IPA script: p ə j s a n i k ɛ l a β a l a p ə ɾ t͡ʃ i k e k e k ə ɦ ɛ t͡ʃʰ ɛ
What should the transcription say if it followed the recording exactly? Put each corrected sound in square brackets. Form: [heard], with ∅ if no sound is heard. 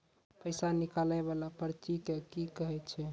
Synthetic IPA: p ə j s a n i k [a] l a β a l a p ə ɾ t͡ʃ i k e k [i] k ə ɦ ɛ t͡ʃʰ ɛ